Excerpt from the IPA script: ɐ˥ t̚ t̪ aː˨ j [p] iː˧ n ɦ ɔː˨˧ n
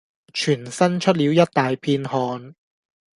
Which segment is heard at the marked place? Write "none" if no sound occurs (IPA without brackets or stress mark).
pʰ